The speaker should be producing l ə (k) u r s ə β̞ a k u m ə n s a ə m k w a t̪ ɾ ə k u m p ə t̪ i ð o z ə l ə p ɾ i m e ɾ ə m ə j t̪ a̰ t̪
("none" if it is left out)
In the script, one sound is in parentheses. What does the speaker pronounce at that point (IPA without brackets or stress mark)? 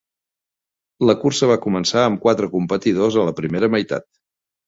k